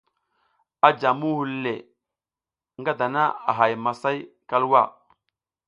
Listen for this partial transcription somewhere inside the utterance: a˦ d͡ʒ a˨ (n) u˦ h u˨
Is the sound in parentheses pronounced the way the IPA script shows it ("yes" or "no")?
no